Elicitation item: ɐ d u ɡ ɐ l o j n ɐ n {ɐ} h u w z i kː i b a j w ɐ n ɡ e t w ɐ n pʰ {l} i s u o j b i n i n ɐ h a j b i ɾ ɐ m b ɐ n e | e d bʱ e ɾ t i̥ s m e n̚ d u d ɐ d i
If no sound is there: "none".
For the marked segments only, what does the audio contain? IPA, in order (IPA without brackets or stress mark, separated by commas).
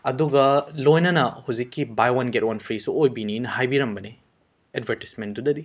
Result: ɐ, ɾ